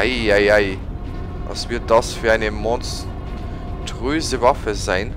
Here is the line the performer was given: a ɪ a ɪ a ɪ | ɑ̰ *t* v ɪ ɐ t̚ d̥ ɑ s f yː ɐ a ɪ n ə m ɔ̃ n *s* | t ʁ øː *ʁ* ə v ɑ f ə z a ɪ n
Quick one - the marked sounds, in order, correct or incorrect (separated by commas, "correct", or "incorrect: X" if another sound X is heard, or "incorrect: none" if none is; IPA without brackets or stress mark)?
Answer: incorrect: s, correct, incorrect: z